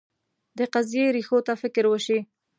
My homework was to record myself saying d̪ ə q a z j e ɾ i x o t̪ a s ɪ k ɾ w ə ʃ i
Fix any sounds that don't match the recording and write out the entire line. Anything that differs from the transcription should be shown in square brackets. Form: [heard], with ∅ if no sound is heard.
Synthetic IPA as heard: d̪ ə q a z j e ɾ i x o t̪ a [f] ɪ k ɾ w ə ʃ i